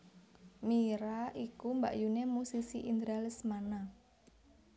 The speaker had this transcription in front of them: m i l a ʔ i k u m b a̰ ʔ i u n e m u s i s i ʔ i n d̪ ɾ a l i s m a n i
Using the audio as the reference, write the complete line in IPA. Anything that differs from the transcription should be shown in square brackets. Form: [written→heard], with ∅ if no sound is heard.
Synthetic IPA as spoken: m i [l→ɾ] a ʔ i k u m b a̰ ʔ [i→j] u n e m u s i s i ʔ i n d̪ ɾ a l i s m a n [i→a]